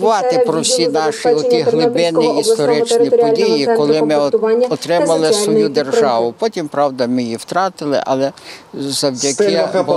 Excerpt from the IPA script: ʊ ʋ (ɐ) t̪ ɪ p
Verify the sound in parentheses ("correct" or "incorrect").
incorrect